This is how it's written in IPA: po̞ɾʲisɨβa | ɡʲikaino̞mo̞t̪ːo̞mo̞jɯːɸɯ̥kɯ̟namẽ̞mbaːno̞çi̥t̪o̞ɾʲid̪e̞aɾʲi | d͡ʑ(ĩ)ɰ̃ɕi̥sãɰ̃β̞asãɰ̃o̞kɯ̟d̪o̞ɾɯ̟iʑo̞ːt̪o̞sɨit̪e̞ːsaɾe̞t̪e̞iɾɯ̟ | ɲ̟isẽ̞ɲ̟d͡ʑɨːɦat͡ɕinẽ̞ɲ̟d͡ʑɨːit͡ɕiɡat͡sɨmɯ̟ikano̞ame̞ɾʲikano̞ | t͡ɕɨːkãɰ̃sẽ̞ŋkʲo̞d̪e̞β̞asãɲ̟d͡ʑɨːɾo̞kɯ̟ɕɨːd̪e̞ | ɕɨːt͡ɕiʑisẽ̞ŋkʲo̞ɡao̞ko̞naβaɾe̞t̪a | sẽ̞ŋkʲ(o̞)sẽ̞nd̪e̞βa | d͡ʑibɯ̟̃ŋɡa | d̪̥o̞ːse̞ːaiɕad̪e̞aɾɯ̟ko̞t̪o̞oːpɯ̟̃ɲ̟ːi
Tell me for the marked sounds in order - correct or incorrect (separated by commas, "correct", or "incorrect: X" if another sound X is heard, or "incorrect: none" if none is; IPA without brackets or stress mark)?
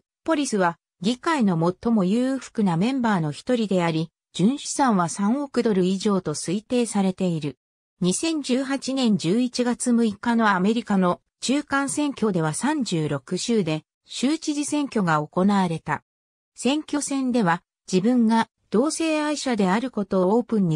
incorrect: ɨ̃, correct